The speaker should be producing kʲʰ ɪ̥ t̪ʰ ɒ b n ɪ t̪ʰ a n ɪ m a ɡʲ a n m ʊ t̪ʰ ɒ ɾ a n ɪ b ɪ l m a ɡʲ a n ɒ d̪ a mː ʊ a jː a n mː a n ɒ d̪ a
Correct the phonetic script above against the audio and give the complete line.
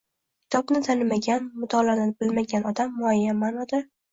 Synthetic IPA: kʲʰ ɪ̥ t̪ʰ ɒ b n ɪ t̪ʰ a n ɪ m a ɡʲ a n m ʊ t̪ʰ ɒ l a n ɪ b ɪ l m a ɡʲ a n ɒ d̪ a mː ʊ a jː a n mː a n ɒ d̪ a